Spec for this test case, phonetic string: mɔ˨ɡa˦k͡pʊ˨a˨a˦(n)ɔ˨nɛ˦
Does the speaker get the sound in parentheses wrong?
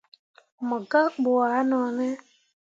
no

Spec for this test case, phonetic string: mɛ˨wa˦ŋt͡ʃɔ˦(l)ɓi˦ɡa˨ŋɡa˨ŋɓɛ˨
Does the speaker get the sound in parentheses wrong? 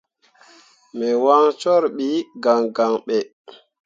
yes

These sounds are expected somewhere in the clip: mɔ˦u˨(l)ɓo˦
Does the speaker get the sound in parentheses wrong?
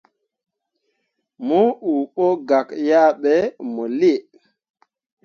yes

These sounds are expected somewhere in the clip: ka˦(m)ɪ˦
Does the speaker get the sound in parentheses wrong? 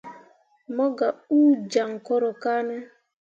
yes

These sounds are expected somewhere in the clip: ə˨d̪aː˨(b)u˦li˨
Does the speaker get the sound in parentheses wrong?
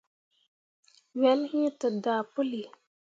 yes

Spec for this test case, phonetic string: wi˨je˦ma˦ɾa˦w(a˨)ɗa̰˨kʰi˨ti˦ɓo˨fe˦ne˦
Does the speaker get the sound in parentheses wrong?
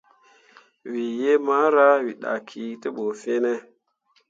yes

